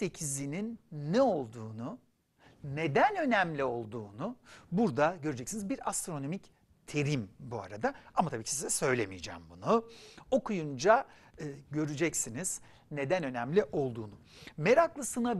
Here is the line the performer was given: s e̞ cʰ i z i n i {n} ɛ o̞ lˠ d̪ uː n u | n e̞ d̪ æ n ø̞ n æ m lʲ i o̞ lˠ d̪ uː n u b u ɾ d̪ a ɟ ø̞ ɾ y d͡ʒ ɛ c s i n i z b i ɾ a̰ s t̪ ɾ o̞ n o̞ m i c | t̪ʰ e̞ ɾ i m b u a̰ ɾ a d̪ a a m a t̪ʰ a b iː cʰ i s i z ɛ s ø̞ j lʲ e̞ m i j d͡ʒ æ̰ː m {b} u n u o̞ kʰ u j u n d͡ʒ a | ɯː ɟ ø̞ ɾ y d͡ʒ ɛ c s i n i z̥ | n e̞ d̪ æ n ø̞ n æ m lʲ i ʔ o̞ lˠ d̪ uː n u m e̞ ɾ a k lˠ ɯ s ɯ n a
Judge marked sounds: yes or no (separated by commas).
no, yes